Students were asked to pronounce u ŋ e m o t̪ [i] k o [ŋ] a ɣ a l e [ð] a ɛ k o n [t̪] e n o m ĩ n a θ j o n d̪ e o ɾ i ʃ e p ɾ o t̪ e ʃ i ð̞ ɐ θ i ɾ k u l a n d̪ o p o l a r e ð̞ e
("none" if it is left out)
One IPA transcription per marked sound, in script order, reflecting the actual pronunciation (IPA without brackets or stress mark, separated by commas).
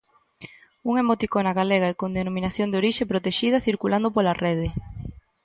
i, n, ɣ, d̪